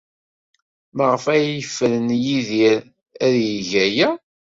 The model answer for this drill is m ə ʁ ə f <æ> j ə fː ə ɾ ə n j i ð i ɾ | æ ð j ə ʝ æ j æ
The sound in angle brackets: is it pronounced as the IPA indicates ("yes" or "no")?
yes